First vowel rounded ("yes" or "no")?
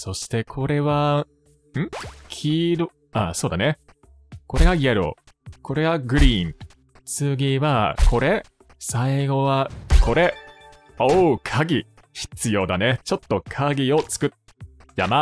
yes